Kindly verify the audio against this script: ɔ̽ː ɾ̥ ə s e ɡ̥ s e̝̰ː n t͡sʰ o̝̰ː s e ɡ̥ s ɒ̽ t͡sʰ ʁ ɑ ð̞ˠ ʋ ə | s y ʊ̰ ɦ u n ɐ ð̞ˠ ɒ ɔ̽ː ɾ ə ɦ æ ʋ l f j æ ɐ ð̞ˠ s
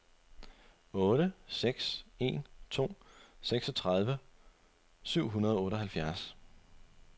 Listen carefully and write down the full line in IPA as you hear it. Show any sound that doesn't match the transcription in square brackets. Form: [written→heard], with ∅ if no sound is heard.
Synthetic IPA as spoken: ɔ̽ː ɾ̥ ə s e ɡ̥ s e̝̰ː n t͡sʰ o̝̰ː s e ɡ̥ s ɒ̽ t͡sʰ ʁ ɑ ð̞ˠ ʋ ə | s y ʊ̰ ɦ u n ɐ ð̞ˠ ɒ ɔ̽ː ɾ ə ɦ æ [ʋ→∅] l f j æ ɐ [ð̞ˠ→∅] s